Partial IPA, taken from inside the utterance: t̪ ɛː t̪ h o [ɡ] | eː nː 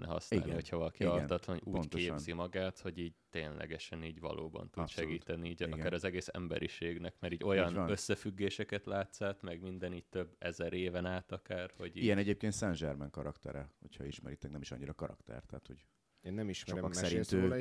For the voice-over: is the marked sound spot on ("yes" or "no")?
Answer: no